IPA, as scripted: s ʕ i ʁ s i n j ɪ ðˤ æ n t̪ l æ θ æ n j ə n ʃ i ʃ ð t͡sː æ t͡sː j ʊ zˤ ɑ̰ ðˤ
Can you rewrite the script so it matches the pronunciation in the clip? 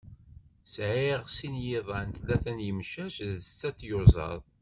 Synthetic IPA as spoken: s ʕ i ʁ s i n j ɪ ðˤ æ n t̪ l æ θ æ n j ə m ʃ æ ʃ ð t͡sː æ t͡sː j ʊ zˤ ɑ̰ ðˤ